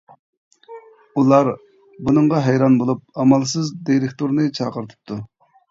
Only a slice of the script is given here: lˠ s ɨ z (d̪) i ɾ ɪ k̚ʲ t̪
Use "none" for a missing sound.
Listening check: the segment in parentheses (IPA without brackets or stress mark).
d̪